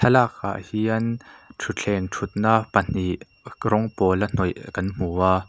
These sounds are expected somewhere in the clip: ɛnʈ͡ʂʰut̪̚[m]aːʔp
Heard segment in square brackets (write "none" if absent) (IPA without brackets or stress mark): n